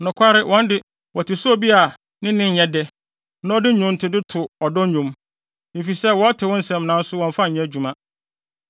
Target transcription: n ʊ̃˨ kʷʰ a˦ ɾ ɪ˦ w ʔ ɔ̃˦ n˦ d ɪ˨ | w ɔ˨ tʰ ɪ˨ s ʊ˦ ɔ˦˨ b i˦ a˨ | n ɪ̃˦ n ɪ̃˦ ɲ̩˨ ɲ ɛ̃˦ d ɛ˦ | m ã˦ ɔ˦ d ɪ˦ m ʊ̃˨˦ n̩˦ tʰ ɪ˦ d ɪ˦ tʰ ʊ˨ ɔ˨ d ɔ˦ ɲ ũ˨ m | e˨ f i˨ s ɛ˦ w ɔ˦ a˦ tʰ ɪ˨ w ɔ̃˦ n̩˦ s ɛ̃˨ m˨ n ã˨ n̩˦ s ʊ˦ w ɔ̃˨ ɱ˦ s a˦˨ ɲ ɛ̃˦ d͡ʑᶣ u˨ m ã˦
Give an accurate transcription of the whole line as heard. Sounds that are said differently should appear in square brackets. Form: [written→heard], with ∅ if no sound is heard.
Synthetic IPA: n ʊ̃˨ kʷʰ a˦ ɾ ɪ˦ w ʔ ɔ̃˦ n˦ d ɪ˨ | w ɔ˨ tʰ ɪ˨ s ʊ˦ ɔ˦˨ b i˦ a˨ | n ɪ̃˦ n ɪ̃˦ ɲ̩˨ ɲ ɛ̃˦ d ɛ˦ | [m→n] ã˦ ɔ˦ d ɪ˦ [m→ɲ] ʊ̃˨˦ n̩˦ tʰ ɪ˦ d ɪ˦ tʰ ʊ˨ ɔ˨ d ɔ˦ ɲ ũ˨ m | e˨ f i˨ s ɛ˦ w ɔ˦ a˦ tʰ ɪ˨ w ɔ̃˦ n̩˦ s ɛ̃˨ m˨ n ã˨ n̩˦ s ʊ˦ w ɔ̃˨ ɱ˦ [s→f] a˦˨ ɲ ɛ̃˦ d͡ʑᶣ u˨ m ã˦